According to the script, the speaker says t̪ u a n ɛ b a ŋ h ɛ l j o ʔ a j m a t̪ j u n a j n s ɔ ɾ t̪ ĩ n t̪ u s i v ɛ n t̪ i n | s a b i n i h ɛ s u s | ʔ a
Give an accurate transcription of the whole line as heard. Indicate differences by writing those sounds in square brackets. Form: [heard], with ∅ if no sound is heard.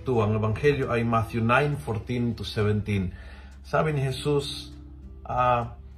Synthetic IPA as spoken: t̪ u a [ŋ] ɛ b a ŋ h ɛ l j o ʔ a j m a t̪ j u n a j n [f] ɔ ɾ t̪ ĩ n t̪ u s [ɛ] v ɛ n t̪ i n | s a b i n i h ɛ s u s | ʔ a